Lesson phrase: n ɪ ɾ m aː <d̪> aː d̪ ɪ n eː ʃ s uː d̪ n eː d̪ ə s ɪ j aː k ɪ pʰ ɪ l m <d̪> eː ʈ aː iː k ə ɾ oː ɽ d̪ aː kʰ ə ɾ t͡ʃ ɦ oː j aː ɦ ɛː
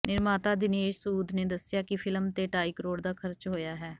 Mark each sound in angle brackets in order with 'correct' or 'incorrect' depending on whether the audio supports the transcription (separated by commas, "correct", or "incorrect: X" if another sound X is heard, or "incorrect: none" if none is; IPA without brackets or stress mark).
incorrect: t̪, incorrect: t̪